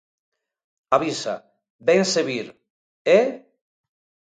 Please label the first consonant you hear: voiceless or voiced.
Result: voiced